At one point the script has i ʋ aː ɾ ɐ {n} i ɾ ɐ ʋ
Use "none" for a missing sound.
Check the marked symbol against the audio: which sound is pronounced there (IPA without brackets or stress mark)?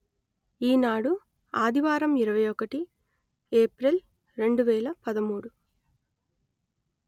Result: m